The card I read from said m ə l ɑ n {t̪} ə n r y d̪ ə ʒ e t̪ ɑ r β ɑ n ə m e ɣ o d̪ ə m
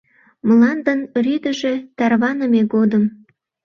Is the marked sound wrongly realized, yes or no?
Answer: yes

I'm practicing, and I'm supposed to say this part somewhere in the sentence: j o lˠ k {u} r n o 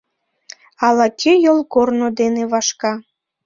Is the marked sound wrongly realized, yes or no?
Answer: yes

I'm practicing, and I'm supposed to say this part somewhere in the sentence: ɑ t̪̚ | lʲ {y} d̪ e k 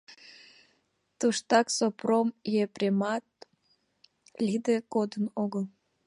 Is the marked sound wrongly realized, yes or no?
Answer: yes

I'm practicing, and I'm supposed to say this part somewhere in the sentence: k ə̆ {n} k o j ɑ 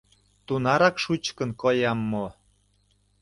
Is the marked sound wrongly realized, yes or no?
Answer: no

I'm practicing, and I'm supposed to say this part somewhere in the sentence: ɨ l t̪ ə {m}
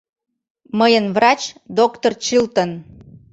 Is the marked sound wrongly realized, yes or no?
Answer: yes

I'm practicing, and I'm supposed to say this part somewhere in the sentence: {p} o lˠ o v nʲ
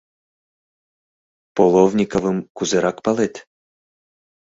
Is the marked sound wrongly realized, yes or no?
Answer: no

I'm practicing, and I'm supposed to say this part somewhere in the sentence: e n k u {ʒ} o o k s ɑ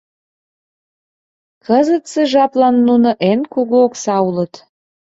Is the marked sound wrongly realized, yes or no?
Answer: yes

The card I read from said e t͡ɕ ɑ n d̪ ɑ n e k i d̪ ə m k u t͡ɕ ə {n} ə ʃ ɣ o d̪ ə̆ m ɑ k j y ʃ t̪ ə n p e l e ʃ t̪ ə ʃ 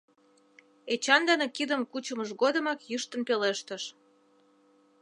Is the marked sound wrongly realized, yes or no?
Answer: yes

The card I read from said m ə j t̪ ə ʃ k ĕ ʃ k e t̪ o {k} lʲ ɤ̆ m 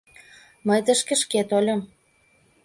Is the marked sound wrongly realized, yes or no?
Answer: yes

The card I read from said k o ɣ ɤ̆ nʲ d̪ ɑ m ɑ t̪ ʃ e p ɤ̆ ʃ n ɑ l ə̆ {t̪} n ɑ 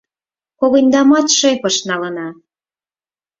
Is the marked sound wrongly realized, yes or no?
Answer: yes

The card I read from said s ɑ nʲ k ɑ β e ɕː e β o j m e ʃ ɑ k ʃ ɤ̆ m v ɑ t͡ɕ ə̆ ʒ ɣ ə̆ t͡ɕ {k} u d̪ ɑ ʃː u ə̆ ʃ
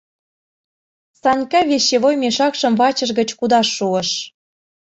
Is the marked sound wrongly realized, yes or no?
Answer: no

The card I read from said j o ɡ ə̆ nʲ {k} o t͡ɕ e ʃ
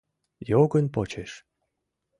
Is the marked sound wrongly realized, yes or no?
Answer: yes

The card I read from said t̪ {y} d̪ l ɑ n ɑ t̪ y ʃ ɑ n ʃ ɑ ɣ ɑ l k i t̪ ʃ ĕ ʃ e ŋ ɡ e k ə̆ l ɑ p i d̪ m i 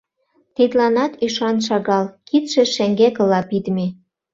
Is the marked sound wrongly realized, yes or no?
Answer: yes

